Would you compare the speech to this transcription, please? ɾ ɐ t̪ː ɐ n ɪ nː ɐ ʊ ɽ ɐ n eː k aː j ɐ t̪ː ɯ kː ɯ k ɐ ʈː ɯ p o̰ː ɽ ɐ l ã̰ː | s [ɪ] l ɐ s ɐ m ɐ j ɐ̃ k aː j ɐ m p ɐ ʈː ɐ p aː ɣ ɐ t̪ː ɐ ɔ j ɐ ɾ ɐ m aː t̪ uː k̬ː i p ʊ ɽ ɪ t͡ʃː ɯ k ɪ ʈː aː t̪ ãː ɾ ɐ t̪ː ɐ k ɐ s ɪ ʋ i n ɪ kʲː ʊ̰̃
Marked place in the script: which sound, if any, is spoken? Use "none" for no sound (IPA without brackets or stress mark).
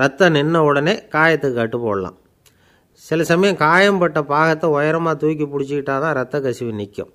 ɪ